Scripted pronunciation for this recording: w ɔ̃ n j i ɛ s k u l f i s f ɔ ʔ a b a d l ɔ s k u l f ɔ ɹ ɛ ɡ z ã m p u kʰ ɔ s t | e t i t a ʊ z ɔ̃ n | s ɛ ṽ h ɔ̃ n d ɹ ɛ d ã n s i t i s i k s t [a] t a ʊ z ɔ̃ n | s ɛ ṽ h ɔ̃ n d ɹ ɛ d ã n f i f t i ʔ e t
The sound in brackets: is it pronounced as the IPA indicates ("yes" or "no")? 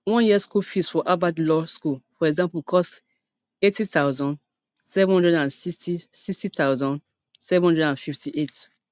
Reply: no